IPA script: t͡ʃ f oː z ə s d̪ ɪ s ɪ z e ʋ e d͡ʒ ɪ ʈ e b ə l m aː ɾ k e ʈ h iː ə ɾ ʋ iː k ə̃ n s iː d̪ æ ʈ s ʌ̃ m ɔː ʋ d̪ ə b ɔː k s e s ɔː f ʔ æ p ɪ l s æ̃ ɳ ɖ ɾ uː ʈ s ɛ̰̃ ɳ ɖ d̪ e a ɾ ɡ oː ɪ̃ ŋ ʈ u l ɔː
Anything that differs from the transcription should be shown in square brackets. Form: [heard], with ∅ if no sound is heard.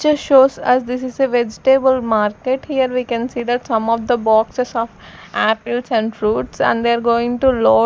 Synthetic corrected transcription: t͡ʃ [ʃ] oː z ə s d̪ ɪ s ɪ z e ʋ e d͡ʒ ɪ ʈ e b ə l m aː ɾ k e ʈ h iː ə ɾ ʋ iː k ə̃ n s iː d̪ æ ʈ s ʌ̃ m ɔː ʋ d̪ ə b ɔː k s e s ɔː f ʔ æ p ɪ l s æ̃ ɳ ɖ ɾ uː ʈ s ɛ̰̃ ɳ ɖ d̪ e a ɾ ɡ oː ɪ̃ ŋ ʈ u l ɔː